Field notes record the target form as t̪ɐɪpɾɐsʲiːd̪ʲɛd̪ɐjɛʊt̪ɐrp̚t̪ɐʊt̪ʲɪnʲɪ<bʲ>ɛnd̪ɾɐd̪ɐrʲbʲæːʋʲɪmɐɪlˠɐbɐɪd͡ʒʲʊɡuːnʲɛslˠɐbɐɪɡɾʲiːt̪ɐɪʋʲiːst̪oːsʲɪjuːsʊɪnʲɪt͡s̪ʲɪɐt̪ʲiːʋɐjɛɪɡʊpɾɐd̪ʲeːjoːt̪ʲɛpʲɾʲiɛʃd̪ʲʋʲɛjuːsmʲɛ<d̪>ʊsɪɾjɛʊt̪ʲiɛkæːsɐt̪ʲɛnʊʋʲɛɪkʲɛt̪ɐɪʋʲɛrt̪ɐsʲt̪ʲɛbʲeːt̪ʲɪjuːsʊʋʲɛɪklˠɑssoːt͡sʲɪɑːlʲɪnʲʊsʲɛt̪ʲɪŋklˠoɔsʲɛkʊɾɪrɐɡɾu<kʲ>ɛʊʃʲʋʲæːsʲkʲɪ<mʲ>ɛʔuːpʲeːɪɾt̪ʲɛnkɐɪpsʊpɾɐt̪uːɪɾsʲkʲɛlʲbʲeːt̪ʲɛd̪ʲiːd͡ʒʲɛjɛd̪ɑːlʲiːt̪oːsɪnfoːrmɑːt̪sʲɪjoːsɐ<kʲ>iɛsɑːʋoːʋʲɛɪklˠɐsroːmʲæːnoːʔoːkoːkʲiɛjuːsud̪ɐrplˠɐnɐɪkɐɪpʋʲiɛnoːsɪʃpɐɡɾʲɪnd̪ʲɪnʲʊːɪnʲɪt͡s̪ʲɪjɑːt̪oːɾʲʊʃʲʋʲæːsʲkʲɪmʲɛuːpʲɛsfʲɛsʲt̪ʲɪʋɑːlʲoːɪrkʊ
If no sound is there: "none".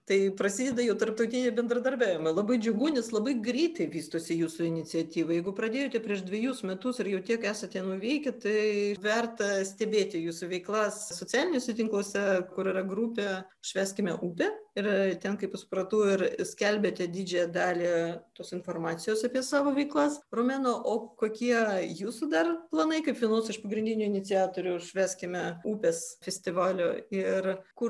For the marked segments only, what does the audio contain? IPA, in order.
bʲ, t̪, pʲ, mʲ, pʲ

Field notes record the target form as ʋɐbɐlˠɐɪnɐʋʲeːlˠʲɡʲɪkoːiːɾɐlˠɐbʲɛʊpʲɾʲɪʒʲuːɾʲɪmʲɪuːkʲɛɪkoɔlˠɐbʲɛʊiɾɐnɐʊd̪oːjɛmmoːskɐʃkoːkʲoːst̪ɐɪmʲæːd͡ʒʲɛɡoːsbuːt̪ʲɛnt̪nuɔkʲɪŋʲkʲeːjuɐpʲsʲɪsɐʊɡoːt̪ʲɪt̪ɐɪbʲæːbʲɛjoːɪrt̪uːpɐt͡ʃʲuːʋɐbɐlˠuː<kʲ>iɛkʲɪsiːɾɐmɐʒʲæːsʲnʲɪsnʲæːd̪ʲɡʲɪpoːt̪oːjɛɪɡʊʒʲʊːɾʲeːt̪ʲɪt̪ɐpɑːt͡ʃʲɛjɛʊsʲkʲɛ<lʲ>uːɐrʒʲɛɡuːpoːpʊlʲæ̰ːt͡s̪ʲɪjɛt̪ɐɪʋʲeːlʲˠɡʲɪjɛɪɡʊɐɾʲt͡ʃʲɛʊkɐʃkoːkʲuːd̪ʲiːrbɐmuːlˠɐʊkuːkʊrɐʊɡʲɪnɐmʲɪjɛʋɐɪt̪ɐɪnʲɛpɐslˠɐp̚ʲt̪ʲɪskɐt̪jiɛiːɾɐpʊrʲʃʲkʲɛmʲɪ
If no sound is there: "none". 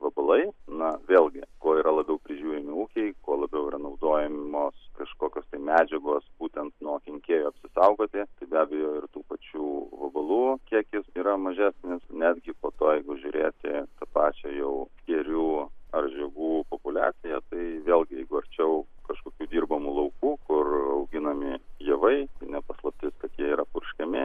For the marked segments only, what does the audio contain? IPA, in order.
kʲ, ɾʲ

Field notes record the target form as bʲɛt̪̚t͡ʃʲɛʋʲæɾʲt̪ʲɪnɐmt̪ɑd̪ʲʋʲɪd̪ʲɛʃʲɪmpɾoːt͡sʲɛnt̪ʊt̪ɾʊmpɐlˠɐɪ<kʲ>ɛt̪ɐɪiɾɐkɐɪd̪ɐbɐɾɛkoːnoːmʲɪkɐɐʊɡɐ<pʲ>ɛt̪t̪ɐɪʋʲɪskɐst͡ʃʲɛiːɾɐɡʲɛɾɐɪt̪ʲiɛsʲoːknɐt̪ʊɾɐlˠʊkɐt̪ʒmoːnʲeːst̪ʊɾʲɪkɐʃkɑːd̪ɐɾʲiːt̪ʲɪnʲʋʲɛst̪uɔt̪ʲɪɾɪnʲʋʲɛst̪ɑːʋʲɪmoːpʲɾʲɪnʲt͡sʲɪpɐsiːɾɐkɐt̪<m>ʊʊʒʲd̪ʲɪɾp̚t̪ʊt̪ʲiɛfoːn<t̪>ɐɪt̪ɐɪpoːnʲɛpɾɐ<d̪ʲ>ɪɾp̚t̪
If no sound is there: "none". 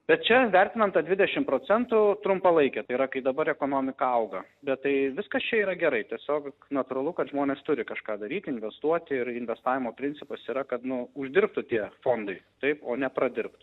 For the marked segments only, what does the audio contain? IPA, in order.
kʲ, bʲ, n, d̪, d̪ʲ

